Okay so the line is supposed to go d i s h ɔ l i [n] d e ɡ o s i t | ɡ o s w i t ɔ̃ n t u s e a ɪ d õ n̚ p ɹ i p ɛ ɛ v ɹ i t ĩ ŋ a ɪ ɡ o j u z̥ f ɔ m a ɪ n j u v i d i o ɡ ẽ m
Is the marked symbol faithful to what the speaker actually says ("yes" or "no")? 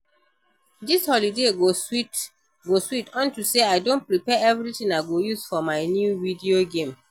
no